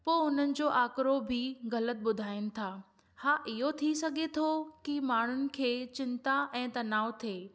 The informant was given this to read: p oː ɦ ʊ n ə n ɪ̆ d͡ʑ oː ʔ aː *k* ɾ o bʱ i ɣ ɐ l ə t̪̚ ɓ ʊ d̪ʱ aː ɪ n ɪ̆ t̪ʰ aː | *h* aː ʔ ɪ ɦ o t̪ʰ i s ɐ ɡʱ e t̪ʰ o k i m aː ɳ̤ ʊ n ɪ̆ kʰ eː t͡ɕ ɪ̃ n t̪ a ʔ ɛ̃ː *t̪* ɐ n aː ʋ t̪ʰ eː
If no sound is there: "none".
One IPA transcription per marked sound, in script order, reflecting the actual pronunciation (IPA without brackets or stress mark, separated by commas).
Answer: k, h, t̪